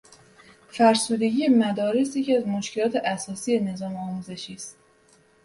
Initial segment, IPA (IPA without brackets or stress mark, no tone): f